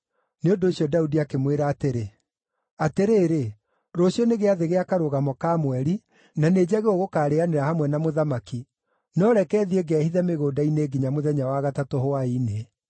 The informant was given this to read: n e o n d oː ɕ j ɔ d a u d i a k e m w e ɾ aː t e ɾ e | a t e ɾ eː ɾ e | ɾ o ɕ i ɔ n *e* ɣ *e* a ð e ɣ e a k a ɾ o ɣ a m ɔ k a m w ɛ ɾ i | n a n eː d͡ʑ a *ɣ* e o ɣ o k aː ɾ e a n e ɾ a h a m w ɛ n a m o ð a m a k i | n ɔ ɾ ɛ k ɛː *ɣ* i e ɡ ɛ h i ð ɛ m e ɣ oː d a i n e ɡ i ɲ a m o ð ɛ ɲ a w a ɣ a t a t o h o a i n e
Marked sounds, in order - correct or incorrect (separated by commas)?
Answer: correct, correct, correct, incorrect